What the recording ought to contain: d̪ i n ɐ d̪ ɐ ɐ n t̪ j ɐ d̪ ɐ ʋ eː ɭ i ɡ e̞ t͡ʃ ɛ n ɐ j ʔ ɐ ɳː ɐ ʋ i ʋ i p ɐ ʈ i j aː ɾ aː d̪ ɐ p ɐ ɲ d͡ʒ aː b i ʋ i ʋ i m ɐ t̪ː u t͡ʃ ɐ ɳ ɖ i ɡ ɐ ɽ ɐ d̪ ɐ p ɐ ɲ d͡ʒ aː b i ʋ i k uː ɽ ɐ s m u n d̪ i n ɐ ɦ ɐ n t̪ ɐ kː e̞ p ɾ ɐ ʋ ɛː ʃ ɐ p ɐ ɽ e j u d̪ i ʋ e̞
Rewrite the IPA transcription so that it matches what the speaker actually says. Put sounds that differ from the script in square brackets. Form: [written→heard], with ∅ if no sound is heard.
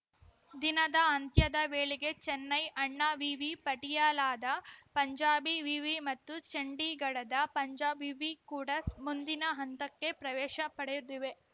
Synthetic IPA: d̪ i n ɐ d̪ ɐ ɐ n t̪ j ɐ d̪ ɐ ʋ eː ɭ i ɡ e̞ t͡ʃ ɛ [n→nː] ɐ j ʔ ɐ ɳː ɐ ʋ i ʋ i p ɐ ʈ i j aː [ɾ→l] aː d̪ ɐ p ɐ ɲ d͡ʒ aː b i ʋ i ʋ i m ɐ t̪ː u t͡ʃ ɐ ɳ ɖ i ɡ ɐ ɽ ɐ d̪ ɐ p ɐ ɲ d͡ʒ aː b i ʋ i k uː ɽ ɐ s m u n d̪ i n ɐ ɦ ɐ n t̪ ɐ kː e̞ p ɾ ɐ ʋ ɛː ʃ ɐ p ɐ ɽ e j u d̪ i ʋ e̞

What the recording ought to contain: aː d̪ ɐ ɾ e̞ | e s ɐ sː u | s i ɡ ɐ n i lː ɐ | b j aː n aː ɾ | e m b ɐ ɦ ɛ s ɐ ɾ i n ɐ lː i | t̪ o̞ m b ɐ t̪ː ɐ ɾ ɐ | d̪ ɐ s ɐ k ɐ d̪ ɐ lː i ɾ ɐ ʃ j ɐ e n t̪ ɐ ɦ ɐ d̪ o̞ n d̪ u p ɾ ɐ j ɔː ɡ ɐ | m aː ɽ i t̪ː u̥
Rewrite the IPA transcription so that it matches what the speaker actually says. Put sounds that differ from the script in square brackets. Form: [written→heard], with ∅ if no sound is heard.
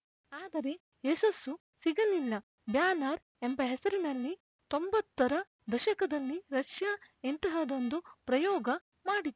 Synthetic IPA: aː d̪ ɐ ɾ e̞ | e s ɐ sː u | s i ɡ ɐ n i lː ɐ | b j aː n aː ɾ | e m b ɐ ɦ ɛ s ɐ ɾ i n ɐ lː i | t̪ o̞ m b ɐ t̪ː ɐ ɾ ɐ | d̪ ɐ [s→ʃ] ɐ k ɐ d̪ ɐ lː i ɾ ɐ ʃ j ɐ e n t̪ ɐ ɦ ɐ d̪ o̞ n d̪ u p ɾ ɐ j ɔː ɡ ɐ | m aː ɽ i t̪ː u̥

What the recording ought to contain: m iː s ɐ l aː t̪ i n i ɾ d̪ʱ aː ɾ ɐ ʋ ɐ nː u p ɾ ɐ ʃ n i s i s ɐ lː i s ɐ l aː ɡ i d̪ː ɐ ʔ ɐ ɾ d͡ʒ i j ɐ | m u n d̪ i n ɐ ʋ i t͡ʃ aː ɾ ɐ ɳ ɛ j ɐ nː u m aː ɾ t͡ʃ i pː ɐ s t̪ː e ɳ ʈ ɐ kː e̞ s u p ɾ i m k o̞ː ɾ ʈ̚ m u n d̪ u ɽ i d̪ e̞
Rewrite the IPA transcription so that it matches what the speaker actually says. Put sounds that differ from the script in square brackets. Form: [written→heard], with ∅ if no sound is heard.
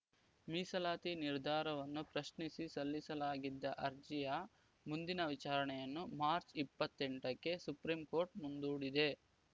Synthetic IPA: m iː s ɐ l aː t̪ i n i ɾ d̪ʱ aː ɾ ɐ ʋ ɐ nː u p ɾ ɐ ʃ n i s i s ɐ lː i s ɐ l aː ɡ i d̪ː ɐ ʔ ɐ ɾ d͡ʒ i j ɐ | m u n d̪ i n ɐ ʋ i t͡ʃ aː ɾ ɐ ɳ ɛ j ɐ nː u m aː ɾ t͡ʃ i pː ɐ [s→∅] t̪ː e ɳ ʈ ɐ kː e̞ s u p ɾ i m k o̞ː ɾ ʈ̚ m u n d̪ [u→uː] ɽ i d̪ e̞

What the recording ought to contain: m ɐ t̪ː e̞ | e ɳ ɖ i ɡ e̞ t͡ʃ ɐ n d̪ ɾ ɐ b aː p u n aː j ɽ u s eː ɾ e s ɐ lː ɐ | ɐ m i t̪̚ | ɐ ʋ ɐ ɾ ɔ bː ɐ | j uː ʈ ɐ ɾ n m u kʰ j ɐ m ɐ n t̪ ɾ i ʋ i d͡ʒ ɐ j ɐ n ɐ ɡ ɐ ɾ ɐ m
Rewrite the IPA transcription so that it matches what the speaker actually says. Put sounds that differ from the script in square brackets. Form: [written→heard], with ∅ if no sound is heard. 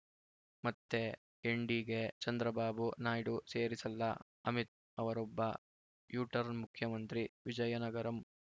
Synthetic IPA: m ɐ t̪ː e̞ | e ɳ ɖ i ɡ e̞ t͡ʃ ɐ n d̪ ɾ ɐ b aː [p→b] u n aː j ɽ u s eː ɾ [e→i] s ɐ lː ɐ | ɐ m i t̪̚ | ɐ ʋ ɐ ɾ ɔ bː ɐ | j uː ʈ ɐ ɾ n m u kʰ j ɐ m ɐ n t̪ ɾ i ʋ i d͡ʒ ɐ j ɐ n ɐ ɡ ɐ ɾ ɐ m

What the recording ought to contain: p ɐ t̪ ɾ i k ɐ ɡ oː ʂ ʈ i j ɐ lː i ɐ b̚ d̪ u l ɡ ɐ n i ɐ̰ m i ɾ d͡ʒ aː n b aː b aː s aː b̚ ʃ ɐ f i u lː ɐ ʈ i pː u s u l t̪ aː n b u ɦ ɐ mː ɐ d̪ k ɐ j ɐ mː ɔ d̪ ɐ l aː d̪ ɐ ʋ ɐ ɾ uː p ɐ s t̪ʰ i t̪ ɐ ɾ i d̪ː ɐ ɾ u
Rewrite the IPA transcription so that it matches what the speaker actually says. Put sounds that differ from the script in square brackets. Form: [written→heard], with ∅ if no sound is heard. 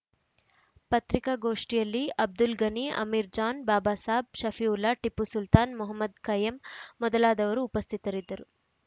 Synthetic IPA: p ɐ t̪ ɾ i k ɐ ɡ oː ʂ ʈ i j ɐ lː i ɐ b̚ d̪ u l ɡ ɐ n i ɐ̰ m i ɾ d͡ʒ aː n b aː b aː s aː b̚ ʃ ɐ f i u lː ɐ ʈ i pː u s u l t̪ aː n [b→m] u ɦ ɐ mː ɐ d̪ k ɐ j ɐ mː ɔ d̪ ɐ l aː d̪ ɐ ʋ ɐ ɾ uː p ɐ s t̪ʰ i t̪ ɐ ɾ i d̪ː ɐ ɾ u

